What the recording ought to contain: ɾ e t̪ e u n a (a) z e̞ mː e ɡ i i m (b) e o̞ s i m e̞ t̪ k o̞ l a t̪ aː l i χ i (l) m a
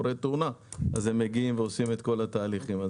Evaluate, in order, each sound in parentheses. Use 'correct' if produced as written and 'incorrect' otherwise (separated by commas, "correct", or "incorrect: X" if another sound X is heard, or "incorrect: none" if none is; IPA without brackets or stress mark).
correct, incorrect: v, incorrect: none